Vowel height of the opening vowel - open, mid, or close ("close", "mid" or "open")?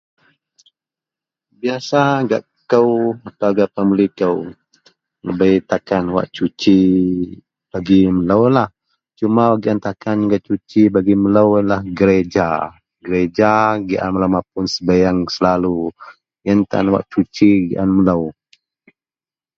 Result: close